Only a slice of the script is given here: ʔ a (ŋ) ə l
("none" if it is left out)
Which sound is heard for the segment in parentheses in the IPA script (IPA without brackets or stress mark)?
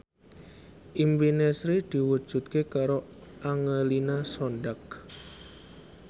ŋ